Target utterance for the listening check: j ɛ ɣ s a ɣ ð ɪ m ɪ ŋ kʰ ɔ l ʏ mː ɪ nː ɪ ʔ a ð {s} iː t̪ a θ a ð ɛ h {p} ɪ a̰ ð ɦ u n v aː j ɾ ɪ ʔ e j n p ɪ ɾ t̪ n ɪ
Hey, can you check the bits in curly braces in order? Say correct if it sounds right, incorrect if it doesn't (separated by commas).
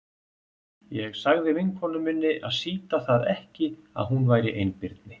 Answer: correct, incorrect